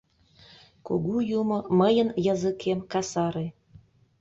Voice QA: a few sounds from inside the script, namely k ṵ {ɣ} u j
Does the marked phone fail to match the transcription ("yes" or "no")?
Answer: no